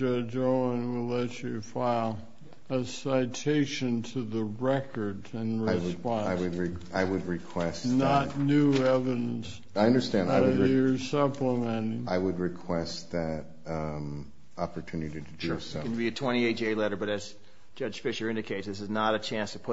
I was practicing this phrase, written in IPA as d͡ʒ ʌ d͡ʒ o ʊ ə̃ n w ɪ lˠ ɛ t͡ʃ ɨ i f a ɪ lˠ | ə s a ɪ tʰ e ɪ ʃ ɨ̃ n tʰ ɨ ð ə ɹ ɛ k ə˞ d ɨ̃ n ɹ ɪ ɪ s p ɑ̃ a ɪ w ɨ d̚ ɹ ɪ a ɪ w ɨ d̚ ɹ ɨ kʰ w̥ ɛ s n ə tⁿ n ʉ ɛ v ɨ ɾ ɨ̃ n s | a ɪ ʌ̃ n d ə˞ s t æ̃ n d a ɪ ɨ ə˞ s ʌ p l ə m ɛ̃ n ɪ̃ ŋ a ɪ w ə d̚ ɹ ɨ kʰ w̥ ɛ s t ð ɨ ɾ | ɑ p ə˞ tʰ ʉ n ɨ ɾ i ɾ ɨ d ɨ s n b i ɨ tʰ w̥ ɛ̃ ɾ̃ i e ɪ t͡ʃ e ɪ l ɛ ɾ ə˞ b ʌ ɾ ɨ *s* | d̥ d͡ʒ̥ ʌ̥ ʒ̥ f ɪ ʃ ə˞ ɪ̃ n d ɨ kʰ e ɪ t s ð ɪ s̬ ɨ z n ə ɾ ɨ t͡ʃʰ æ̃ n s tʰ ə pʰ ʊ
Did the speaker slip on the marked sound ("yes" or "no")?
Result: yes